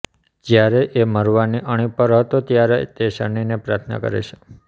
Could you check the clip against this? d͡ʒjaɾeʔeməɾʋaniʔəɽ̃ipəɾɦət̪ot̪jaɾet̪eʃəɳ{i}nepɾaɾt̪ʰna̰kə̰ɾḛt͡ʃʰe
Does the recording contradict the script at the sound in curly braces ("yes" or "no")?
no